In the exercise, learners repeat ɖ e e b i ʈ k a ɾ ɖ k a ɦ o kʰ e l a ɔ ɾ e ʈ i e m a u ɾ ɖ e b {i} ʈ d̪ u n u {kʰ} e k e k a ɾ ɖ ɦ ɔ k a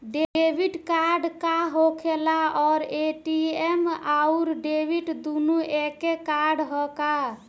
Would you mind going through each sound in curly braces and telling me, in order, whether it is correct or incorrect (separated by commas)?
correct, incorrect